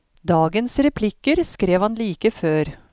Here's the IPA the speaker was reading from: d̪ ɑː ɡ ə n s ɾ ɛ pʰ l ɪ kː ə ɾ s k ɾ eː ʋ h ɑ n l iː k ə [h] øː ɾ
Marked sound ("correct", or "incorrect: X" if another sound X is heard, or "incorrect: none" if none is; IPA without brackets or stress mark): incorrect: f